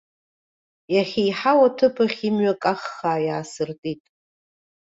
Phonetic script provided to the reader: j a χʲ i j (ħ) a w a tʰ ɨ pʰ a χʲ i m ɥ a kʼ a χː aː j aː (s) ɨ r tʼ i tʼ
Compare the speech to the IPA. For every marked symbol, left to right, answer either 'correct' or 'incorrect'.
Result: correct, correct

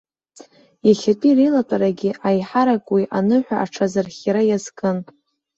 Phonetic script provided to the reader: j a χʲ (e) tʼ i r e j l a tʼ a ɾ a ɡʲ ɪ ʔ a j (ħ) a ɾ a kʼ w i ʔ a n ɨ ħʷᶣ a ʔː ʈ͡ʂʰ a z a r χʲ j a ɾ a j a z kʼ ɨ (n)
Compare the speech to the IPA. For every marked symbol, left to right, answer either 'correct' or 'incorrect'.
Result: incorrect, correct, correct

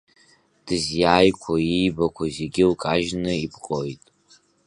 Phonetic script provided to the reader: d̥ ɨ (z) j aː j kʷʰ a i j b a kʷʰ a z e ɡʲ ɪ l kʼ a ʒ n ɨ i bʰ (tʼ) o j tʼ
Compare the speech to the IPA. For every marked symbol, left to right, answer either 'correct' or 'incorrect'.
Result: correct, incorrect

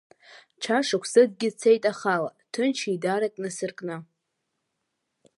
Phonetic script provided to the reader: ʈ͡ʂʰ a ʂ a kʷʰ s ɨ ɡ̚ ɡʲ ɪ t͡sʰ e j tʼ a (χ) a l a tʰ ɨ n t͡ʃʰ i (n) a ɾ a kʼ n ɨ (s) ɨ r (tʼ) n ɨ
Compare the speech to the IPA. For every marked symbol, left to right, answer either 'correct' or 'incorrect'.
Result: correct, incorrect, correct, incorrect

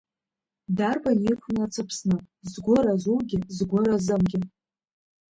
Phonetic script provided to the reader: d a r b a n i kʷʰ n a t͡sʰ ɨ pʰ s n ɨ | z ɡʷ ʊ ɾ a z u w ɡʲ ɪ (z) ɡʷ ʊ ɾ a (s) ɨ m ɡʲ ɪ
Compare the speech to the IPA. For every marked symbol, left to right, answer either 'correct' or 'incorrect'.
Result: correct, incorrect

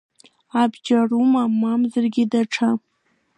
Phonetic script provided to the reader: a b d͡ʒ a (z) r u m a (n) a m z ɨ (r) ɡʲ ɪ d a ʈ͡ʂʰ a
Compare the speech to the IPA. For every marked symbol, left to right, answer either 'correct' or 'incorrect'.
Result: incorrect, incorrect, correct

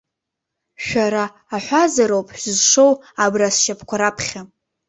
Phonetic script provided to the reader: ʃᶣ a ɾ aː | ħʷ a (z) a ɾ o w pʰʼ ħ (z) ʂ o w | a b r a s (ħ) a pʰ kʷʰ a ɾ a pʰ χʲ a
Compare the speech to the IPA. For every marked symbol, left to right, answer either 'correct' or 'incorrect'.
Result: correct, correct, incorrect

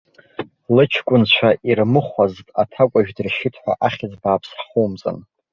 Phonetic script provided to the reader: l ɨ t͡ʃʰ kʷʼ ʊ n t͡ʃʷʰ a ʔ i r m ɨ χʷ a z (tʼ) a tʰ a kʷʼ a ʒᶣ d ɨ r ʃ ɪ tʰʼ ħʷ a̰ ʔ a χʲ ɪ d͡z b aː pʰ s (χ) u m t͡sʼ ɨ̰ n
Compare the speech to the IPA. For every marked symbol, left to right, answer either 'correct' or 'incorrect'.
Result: correct, correct

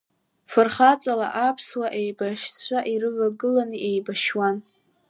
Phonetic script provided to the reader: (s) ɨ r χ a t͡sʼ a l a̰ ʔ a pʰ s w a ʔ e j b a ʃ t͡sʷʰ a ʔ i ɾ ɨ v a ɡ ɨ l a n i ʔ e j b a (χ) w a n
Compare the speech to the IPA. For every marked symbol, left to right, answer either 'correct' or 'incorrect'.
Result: incorrect, incorrect

